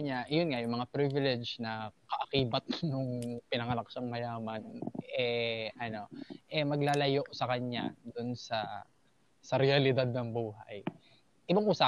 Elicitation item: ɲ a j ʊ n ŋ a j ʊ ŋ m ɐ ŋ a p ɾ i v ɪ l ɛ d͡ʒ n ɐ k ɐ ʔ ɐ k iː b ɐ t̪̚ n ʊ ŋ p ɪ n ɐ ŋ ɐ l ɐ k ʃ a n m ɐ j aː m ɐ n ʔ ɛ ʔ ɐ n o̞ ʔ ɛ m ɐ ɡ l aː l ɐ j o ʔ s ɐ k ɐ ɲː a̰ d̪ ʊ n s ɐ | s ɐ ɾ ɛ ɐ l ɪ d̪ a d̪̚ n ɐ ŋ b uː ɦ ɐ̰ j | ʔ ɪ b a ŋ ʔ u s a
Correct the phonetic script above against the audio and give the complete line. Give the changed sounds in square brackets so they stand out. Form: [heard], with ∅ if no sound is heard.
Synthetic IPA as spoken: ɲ a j ʊ n ŋ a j ʊ ŋ m ɐ ŋ a p ɾ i v ɪ l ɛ d͡ʒ n ɐ k ɐ ʔ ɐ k iː b ɐ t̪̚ n ʊ ŋ p ɪ n ɐ ŋ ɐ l ɐ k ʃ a [ŋ] m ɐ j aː m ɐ n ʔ ɛ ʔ ɐ n o̞ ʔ ɛ m ɐ ɡ l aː l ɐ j o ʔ s ɐ k ɐ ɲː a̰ d̪ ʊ n s ɐ | s ɐ ɾ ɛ ɐ l ɪ d̪ a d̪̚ n ɐ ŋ b uː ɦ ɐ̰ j | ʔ ɪ b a ŋ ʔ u s a